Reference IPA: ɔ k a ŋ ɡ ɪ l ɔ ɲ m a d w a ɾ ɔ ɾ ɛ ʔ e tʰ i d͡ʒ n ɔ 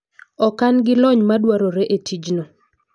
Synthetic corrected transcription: ɔ k a n ɡ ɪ l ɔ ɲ m a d w a ɾ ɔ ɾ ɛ ʔ e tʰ i d͡ʒ n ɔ